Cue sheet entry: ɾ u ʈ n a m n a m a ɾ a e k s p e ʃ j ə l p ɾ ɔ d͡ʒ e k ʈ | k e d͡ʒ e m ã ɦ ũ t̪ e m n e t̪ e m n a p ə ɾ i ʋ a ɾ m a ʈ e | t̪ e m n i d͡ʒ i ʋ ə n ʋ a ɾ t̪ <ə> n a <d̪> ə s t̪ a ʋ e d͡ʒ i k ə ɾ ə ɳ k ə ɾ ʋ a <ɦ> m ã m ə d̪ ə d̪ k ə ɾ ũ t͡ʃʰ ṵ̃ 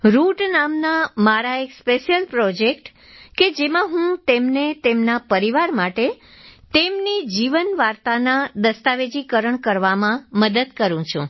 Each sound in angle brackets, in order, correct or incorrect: incorrect: a, correct, incorrect: none

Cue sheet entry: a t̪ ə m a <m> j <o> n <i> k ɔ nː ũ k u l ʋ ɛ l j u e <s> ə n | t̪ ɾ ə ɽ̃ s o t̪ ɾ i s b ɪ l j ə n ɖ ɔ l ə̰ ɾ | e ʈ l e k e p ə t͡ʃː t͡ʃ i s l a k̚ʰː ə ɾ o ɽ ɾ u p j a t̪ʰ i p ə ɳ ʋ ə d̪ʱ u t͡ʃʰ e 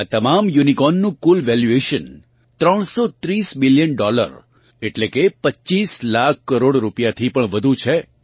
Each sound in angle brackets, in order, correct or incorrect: correct, incorrect: u, correct, incorrect: ʃ

